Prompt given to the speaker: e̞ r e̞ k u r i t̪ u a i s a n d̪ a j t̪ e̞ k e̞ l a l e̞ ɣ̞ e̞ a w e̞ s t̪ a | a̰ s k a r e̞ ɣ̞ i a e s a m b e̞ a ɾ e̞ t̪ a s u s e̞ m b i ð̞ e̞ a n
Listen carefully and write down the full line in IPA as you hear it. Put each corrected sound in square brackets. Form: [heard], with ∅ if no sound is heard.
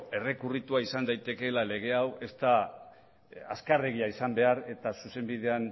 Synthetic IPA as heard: e̞ r e̞ k u r i t̪ u a i s a n d̪ a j t̪ e̞ k e̞ l a l e̞ ɣ̞ e̞ a w e̞ s t̪ a | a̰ s k a r e̞ ɣ̞ i a [i] s a m b e̞ a ɾ e̞ t̪ a s u s e̞ m b i ð̞ e̞ a n